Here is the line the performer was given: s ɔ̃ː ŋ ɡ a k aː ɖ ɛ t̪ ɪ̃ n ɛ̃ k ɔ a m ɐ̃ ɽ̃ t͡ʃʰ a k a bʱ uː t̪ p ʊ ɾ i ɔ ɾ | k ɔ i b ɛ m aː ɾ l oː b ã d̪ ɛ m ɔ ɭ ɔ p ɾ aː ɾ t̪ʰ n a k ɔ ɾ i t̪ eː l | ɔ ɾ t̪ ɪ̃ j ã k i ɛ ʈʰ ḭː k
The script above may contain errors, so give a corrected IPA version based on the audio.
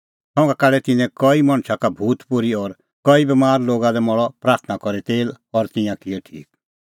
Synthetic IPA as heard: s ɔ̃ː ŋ ɡ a k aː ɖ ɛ t̪ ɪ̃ n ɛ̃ k ɔ i m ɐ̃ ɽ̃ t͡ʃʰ a k a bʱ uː t̪ p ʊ ɾ i ɔ ɾ | k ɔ i b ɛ m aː ɾ l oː ɡ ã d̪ ɛ m ɔ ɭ ɔ p ɾ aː ɾ t̪ʰ n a k ɔ ɾ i t̪ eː l | ɔ ɾ t̪ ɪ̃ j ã k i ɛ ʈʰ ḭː k